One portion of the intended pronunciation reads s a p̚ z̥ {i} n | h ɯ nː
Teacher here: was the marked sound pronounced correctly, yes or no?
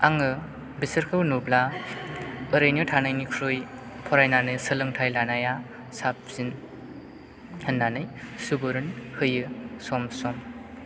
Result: yes